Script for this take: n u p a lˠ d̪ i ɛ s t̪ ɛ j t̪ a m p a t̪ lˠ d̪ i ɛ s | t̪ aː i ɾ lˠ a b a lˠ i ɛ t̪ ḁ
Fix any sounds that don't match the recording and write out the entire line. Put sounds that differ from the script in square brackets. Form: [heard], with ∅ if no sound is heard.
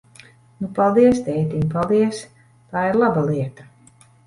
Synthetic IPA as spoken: n u p a lˠ d̪ i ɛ s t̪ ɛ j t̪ [i] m p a [∅] lˠ d̪ i ɛ s | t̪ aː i ɾ lˠ a b a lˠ i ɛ t̪ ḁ